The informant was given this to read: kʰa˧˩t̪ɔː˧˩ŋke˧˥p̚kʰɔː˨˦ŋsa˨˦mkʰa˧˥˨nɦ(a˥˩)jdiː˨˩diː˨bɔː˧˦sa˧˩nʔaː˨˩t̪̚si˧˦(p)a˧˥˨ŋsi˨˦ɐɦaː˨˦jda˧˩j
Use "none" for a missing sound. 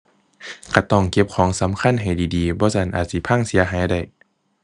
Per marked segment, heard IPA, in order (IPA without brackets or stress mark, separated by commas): a˨˩, pʰ